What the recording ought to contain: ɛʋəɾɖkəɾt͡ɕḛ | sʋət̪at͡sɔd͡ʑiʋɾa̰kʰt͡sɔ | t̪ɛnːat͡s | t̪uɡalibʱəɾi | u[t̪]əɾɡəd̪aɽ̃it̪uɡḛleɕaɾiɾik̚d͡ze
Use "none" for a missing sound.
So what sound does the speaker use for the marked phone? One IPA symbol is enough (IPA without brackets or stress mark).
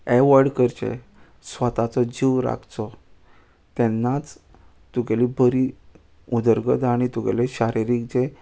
d̪